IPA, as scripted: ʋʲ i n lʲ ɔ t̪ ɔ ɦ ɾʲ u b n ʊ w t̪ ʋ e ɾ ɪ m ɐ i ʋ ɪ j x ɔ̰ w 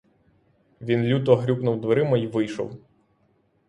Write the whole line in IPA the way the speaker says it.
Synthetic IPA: ʋʲ i n lʲ u t̪ ɔ ɦ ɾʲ u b n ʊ w d̪ ʋ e ɾ ɪ m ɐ i ʋ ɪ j ʃ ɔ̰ w